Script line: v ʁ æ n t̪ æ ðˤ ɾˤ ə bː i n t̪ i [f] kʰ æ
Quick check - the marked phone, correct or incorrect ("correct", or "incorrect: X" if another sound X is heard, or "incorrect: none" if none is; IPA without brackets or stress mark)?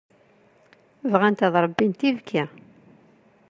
incorrect: v